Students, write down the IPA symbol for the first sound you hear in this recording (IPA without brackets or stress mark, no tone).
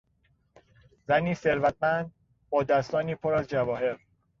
z